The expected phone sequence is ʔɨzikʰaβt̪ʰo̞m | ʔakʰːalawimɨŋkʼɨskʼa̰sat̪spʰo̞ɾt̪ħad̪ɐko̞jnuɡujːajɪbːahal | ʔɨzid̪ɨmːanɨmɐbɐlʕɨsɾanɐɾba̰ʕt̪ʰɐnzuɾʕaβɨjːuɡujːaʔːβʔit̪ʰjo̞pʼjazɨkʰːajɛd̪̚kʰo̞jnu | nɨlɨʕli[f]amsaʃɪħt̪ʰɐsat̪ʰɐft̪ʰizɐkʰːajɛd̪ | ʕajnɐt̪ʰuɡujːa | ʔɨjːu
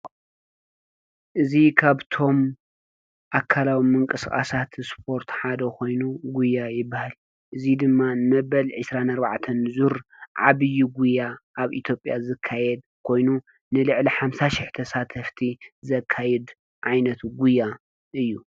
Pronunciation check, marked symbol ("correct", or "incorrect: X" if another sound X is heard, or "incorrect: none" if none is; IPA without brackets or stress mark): incorrect: ħ